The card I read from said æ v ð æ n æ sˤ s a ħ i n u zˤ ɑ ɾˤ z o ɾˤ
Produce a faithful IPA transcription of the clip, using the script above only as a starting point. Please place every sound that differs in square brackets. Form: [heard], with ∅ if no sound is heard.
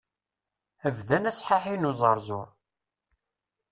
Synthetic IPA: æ v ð æ n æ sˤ [ħ] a ħ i n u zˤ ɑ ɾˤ z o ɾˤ